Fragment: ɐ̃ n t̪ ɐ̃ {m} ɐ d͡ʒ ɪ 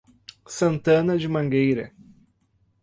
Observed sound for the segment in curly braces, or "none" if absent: n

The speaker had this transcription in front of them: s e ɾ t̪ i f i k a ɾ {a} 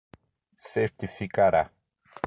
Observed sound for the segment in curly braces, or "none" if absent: a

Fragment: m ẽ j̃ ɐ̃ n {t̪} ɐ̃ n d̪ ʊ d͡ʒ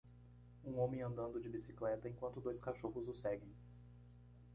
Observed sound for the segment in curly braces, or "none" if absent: d̪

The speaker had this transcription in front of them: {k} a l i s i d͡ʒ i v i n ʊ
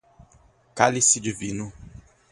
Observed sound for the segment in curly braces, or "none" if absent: k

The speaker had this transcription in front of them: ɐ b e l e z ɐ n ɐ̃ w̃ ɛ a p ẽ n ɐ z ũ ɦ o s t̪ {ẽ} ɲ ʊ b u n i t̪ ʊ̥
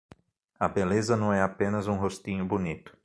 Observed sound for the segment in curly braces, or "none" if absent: ĩ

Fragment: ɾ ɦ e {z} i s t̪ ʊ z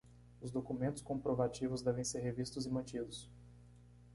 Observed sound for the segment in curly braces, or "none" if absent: v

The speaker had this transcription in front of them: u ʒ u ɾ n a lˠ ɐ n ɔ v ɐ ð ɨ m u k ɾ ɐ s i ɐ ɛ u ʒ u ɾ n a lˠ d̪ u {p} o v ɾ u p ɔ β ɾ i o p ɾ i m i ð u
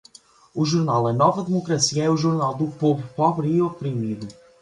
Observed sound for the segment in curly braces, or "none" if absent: p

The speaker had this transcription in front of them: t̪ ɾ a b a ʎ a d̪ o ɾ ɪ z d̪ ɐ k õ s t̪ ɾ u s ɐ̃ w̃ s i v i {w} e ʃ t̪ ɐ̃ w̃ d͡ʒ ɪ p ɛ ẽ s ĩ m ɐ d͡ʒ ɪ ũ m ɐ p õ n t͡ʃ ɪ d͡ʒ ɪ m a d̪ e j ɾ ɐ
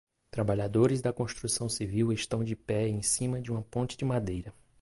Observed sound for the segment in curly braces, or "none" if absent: w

